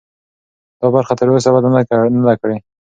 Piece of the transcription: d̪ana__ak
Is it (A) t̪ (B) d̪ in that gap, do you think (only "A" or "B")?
B